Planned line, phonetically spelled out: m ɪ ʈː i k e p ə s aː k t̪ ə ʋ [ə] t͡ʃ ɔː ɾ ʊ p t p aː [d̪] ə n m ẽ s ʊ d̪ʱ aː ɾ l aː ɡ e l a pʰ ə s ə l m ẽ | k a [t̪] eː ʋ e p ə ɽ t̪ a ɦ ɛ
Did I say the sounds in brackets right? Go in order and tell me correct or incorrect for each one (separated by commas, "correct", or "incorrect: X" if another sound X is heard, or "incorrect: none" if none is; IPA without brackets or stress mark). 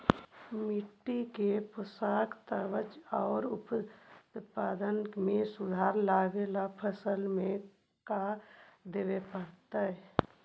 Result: correct, correct, incorrect: d̪